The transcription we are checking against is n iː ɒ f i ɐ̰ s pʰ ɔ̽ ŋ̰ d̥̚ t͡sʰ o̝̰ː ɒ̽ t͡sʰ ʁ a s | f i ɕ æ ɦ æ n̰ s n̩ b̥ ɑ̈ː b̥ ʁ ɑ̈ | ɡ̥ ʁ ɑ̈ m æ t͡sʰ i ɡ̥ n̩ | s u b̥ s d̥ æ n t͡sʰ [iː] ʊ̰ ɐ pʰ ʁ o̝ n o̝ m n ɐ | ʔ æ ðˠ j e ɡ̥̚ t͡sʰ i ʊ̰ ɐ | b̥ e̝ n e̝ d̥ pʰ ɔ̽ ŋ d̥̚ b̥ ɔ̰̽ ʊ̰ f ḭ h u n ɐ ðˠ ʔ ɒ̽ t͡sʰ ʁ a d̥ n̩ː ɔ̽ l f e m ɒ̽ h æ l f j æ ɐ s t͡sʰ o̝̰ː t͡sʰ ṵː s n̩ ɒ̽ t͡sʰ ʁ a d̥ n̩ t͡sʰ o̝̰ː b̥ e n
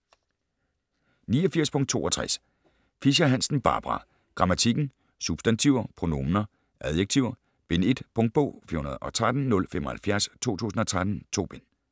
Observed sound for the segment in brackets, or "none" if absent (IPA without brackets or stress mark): i